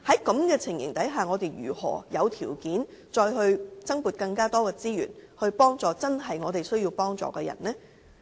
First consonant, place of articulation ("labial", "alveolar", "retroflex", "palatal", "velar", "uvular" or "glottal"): glottal